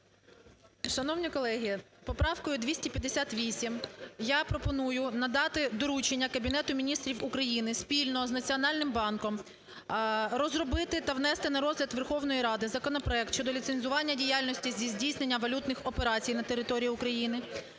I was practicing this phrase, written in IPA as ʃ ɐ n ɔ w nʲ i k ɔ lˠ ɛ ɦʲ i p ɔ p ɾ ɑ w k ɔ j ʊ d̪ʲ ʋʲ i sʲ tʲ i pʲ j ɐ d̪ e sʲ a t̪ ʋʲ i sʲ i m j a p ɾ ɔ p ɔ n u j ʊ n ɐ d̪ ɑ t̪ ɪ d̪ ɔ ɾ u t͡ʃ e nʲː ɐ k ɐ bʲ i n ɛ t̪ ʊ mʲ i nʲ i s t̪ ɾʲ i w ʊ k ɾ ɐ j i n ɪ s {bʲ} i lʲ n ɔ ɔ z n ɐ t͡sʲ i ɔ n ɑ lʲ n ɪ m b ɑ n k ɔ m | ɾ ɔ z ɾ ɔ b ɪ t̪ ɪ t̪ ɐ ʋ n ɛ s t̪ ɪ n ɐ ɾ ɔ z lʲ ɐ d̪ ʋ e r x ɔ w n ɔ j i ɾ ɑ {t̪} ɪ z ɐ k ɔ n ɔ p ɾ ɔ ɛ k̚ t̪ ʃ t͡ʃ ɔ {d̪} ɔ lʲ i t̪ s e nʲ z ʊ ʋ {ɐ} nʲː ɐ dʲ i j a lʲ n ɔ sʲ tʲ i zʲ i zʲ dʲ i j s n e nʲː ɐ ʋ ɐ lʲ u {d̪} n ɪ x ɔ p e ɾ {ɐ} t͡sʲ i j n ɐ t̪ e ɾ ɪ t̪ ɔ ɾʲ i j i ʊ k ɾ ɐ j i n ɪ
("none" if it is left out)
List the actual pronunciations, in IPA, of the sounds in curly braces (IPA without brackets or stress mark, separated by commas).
pʲ, d̪, d̪, ɑ, t̪, ɑ